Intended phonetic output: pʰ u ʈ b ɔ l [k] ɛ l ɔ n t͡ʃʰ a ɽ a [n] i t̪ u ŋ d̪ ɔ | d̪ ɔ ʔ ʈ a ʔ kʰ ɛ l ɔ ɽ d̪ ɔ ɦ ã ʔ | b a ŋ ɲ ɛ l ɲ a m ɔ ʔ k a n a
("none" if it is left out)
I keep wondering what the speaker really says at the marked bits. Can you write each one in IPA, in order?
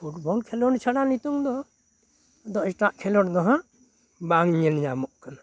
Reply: kʰ, n

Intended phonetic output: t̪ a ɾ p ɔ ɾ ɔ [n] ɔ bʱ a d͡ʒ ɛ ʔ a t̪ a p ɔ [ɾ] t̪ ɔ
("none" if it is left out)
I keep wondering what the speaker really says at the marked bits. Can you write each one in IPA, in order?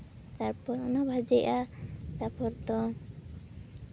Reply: n, ɾ

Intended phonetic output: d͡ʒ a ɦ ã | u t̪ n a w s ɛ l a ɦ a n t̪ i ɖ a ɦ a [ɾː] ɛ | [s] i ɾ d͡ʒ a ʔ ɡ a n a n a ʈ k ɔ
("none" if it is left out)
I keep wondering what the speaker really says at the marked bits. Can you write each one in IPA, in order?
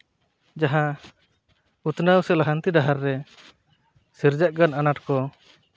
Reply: ɾː, s

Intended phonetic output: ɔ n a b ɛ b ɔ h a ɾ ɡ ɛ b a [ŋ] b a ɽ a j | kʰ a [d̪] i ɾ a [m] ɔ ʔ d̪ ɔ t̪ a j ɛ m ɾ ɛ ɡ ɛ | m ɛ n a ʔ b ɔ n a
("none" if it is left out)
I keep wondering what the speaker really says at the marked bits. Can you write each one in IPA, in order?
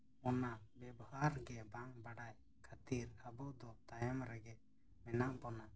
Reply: ŋ, t̪, b

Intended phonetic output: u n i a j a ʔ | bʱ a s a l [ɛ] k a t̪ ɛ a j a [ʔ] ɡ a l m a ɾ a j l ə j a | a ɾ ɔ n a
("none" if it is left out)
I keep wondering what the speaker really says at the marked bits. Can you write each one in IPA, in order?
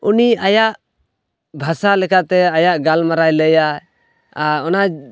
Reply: ɛ, ʔ

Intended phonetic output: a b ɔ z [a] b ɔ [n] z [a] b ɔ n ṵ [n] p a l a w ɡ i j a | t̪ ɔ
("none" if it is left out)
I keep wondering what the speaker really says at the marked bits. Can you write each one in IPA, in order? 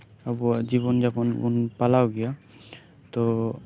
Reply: i, n, a, n

